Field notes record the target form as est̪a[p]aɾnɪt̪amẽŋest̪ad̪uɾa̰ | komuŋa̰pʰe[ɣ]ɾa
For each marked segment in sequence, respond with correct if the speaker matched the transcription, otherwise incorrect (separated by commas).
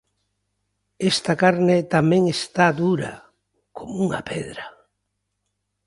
incorrect, incorrect